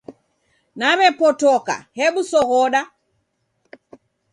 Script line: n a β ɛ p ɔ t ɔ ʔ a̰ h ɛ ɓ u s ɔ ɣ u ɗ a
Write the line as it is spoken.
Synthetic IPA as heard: n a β ɛ p ɔ t ɔ k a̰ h ɛ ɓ u s ɔ ɣ ɔ ɗ a

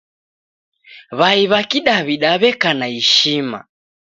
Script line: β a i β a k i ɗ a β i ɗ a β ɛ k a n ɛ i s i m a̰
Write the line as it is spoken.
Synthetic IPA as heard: β a i β a k i ɗ a β i ɗ a β ɛ k a n a i ʃ i m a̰

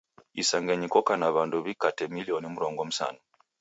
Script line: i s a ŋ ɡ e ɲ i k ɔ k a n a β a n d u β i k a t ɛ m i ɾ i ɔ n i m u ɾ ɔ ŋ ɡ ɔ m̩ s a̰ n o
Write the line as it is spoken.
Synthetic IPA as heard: i s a ŋ ɡ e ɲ i k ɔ k a n a β a n d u β i k a t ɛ m i l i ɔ n i m u ɾ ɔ ŋ ɡ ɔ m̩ s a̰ n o

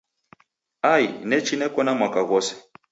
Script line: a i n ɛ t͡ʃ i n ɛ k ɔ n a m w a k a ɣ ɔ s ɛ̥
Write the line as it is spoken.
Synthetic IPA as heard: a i n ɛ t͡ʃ i n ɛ k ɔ n a m w a k a ɣ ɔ s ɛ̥

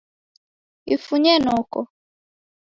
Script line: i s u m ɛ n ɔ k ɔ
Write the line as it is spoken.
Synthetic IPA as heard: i f u ɲ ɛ n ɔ k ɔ

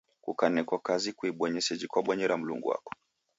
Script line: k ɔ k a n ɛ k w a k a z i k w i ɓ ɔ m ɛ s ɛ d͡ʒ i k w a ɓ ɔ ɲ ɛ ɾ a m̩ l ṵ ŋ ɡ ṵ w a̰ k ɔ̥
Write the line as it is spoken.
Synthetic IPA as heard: k u k a n ɛ k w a k a z i k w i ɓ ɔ ɲ ɛ s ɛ d͡ʒ i k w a ɓ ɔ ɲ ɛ ɾ a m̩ l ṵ ŋ ɡ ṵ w a̰ k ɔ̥

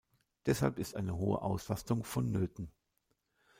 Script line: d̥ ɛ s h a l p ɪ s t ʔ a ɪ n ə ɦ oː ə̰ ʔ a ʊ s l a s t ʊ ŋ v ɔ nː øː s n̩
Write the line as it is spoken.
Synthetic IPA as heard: d̥ ɛ s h a l p ɪ s t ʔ a ɪ n ə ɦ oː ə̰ ʔ a ʊ s l a s t ʊ ŋ f ɔ nː øː t n̩

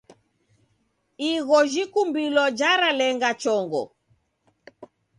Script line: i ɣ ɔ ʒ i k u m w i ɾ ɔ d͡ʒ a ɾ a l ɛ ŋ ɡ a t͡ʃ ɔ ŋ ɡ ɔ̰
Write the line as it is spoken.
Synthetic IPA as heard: i ɣ ɔ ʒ i k u m b i l ɔ d͡ʒ a ɾ a l ɛ ŋ ɡ a t͡ʃ ɔ ŋ ɡ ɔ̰

